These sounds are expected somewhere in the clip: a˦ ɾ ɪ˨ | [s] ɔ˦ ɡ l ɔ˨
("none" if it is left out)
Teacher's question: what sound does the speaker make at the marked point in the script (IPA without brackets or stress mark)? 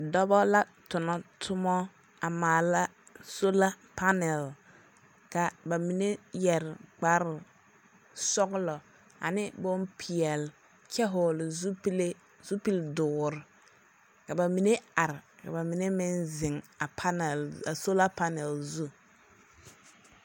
s